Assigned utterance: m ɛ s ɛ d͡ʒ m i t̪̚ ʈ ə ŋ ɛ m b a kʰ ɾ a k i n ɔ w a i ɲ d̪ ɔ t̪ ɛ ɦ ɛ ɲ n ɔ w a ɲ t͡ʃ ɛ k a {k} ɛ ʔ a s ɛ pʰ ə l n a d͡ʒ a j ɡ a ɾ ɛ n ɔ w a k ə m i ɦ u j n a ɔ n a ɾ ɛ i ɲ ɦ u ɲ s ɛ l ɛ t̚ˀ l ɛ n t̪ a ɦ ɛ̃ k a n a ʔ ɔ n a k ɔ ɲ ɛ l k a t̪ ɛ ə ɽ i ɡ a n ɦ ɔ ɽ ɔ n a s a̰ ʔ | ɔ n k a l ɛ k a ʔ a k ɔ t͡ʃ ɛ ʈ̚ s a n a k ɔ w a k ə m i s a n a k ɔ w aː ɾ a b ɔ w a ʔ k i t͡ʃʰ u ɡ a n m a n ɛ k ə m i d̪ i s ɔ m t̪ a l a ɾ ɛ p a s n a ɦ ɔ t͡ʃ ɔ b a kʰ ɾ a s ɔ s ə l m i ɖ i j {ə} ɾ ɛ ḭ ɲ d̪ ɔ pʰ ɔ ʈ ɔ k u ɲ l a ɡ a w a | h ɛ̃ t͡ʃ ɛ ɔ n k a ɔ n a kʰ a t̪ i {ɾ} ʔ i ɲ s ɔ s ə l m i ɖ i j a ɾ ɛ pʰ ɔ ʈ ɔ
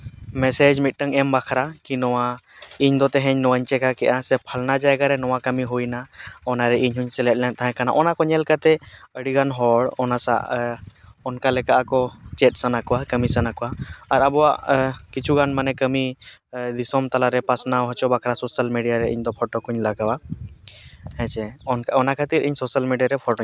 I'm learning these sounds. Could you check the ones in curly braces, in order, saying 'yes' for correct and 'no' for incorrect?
yes, no, yes

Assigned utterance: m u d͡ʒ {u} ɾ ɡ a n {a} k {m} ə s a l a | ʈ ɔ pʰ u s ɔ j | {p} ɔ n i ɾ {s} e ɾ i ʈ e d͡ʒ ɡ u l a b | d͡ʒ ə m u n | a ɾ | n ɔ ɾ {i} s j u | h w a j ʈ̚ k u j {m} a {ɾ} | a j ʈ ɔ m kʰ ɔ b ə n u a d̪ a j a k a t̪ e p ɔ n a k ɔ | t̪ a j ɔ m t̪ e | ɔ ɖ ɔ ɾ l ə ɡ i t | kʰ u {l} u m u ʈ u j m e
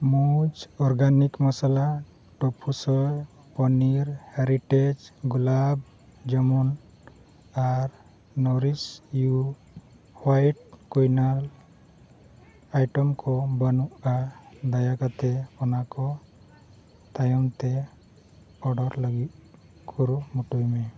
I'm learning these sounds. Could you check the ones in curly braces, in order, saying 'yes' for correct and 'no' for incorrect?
no, no, yes, yes, no, yes, no, no, no

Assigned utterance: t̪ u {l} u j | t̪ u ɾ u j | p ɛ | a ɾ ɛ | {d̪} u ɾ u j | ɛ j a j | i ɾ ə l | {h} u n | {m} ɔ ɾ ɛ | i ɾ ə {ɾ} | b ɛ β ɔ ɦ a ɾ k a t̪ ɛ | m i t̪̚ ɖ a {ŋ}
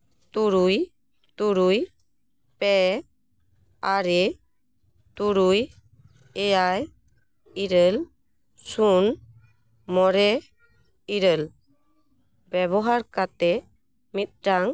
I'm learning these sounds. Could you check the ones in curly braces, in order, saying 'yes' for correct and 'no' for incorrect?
no, no, no, yes, no, yes

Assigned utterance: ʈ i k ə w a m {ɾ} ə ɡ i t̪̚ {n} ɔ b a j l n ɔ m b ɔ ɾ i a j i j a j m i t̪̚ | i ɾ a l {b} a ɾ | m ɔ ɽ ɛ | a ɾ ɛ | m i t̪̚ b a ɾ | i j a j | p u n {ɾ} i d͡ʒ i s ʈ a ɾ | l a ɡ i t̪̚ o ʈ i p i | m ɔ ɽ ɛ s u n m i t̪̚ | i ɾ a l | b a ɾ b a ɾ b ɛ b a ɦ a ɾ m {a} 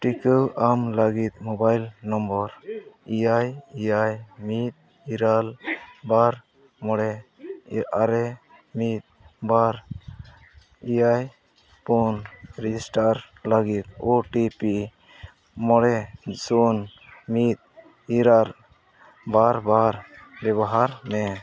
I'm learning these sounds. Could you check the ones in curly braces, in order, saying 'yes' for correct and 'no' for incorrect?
no, no, yes, yes, no

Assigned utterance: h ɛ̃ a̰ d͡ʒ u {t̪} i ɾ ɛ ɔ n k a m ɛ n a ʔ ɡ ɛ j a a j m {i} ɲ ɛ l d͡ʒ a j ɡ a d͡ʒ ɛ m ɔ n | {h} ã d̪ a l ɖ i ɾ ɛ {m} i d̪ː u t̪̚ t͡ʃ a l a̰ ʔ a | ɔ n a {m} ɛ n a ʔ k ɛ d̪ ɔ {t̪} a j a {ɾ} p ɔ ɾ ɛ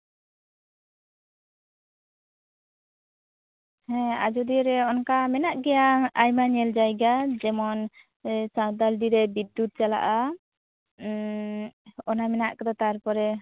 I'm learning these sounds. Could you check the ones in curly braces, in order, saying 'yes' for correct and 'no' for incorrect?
no, no, no, no, yes, yes, yes

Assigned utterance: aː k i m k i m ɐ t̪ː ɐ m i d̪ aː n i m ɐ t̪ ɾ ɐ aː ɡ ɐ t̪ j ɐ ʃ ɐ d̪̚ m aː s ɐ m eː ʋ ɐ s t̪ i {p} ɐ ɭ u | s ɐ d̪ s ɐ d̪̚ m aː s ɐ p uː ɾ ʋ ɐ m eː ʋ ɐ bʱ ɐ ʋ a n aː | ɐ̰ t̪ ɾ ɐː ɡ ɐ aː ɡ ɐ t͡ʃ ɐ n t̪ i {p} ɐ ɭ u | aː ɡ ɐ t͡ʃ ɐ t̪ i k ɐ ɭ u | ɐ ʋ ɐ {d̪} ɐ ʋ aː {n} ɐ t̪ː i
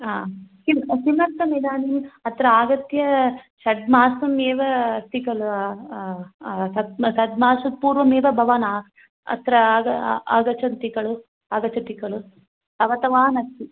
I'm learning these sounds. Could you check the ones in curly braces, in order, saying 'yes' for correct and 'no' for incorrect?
no, no, no, yes

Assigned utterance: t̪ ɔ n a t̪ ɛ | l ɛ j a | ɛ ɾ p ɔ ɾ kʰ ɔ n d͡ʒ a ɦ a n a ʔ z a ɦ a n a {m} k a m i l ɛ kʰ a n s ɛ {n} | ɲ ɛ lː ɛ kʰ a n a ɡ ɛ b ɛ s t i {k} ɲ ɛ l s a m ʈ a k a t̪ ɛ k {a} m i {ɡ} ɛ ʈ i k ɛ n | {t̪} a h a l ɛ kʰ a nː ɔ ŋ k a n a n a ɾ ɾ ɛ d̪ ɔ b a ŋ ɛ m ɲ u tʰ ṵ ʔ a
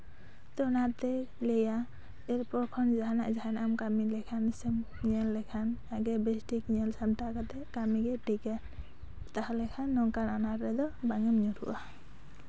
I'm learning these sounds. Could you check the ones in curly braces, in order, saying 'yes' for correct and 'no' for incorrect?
yes, no, yes, yes, yes, yes

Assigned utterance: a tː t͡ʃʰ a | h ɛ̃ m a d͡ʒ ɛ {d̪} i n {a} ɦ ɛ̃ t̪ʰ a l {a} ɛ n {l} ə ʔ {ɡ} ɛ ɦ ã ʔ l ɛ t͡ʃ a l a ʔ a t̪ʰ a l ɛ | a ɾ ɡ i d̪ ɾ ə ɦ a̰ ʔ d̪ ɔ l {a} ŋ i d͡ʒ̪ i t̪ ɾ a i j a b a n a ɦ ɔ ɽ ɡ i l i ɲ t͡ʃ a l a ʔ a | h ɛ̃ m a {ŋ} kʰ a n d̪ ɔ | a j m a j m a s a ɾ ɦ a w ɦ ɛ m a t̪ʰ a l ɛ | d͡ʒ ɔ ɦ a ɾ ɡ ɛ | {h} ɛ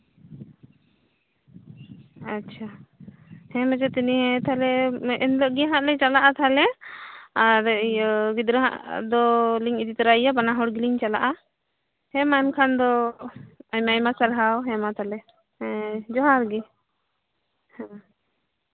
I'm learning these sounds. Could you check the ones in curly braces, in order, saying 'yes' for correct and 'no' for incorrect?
no, no, no, yes, yes, no, no, yes

